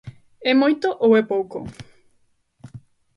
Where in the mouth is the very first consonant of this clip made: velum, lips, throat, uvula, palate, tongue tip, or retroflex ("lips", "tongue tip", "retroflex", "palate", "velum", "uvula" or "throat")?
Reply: lips